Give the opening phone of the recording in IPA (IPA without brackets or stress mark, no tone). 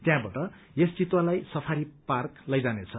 t̪